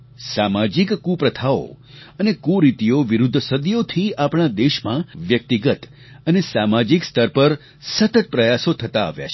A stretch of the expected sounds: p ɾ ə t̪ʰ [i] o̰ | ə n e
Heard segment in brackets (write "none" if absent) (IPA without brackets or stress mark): a